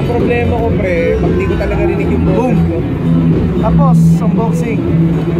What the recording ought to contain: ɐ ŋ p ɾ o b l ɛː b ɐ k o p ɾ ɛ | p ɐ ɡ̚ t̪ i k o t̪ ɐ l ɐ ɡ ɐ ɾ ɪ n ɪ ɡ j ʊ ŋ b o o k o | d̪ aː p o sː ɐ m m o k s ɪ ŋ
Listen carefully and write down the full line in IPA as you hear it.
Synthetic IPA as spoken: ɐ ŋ p ɾ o b l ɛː m ɐ k o p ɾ ɛ | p ɐ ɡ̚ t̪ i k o t̪ ɐ l ɐ ɡ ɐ ɾ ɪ n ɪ ɡ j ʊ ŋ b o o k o | t̪ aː p o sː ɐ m b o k s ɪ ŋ